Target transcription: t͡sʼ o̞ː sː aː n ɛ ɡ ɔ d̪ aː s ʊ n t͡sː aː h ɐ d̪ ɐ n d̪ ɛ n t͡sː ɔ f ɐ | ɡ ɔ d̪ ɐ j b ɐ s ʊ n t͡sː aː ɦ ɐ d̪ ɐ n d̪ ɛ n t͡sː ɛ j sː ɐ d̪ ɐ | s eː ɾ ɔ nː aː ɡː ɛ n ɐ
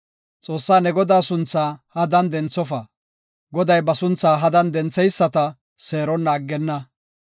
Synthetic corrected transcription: t͡sʼ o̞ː sː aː n ɛ ɡ ɔ d̪ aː s ʊ n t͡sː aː h ɐ d̪ ɐ n d̪ ɛ n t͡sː ɔ f ɐ | ɡ ɔ d̪ ɐ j b ɐ s ʊ n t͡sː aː ɦ ɐ d̪ ɐ n d̪ ɛ n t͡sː ɛ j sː ɐ t̪ ɐ | s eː ɾ ɔ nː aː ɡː ɛ nː ɐ